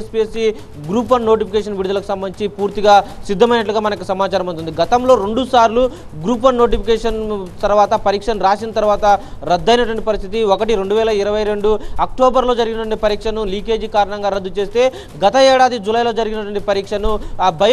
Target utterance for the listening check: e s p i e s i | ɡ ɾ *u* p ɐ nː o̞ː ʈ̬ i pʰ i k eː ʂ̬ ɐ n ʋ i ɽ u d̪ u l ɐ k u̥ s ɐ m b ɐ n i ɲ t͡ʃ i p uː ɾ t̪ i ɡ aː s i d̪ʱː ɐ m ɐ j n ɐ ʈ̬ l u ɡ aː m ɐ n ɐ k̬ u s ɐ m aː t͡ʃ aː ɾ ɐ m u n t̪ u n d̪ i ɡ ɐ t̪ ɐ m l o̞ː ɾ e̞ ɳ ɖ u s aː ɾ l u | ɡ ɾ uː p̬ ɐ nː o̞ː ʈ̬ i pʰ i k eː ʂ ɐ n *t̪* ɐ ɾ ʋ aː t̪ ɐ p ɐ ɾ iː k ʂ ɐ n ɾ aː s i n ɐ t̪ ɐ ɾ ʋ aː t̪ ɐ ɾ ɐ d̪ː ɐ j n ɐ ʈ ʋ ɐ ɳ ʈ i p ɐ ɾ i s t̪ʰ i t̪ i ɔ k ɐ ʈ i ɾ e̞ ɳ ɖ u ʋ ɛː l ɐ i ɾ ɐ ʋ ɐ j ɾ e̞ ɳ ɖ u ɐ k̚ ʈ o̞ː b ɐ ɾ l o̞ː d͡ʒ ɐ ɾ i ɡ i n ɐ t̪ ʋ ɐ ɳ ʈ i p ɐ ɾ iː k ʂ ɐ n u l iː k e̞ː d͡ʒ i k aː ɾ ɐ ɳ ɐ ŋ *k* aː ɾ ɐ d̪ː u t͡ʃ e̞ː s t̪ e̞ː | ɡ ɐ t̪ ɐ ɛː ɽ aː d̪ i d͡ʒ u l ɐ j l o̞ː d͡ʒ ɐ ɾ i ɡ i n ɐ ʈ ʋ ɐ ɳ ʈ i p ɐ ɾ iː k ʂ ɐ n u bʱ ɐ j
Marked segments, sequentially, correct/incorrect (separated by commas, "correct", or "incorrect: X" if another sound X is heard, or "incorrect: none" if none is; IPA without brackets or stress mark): incorrect: uː, correct, incorrect: ɡ